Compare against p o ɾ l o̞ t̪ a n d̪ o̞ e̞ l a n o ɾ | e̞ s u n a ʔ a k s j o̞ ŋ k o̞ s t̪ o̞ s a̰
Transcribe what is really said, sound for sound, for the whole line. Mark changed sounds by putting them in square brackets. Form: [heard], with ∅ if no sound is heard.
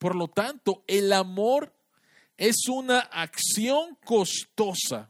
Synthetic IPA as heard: p o ɾ l o̞ t̪ a n [t̪] o̞ e̞ l a [m] o ɾ | e̞ s u n a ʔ a k s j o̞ ŋ k o̞ s t̪ o̞ s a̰